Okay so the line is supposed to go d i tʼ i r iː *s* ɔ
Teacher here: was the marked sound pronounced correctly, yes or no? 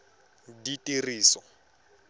yes